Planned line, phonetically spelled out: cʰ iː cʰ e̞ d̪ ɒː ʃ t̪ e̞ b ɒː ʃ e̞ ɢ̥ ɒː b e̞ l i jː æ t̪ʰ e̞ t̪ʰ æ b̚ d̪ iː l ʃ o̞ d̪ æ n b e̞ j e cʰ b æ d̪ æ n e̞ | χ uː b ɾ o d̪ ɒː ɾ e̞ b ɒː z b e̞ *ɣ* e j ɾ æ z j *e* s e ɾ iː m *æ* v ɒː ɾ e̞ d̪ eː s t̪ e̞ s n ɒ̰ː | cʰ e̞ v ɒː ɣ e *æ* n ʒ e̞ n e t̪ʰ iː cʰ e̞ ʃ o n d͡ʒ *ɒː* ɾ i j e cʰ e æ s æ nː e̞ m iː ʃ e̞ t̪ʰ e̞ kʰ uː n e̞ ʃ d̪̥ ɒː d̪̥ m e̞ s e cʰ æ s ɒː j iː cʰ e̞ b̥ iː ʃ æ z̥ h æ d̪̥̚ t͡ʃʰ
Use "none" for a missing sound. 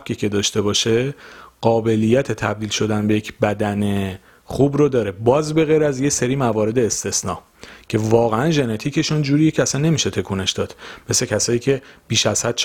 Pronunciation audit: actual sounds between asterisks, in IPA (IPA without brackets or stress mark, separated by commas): ɣ, e, æ, æ, uː